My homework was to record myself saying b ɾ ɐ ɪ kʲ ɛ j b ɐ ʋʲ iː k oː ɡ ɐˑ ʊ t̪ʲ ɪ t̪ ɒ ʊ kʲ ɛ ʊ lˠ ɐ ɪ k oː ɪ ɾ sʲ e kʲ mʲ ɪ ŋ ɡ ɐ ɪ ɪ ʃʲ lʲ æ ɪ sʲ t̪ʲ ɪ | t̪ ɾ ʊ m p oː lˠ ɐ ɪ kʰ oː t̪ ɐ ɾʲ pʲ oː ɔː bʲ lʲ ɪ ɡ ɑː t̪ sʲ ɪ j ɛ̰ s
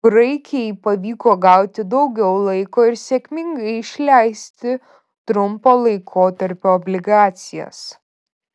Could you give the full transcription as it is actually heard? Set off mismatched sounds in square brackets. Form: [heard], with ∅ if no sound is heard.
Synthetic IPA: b ɾ ɐ ɪ kʲ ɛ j [p] ɐ ʋʲ iː k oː ɡ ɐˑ ʊ t̪ʲ ɪ [d̪] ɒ ʊ [ɡʲ] ɛ ʊ lˠ ɐ ɪ k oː ɪ ɾ sʲ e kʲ mʲ ɪ ŋ ɡ ɐ ɪ ɪ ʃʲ lʲ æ ɪ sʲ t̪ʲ ɪ | t̪ ɾ ʊ m p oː lˠ ɐ ɪ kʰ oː t̪ ɐ ɾʲ pʲ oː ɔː bʲ lʲ ɪ ɡ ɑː t̪ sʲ ɪ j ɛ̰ s